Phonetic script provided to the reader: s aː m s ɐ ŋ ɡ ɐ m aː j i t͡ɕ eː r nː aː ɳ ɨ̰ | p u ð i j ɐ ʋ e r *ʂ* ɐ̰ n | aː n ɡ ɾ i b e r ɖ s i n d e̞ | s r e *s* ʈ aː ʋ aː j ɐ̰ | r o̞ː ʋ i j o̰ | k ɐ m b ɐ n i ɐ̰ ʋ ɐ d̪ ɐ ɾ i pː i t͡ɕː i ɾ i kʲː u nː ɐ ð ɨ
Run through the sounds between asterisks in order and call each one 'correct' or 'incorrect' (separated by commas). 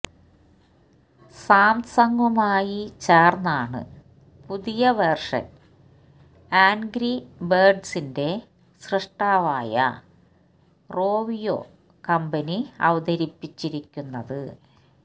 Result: correct, incorrect